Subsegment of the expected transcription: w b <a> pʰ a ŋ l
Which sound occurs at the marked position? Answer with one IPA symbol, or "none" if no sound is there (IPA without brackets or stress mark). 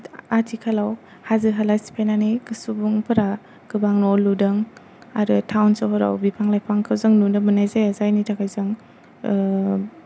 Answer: i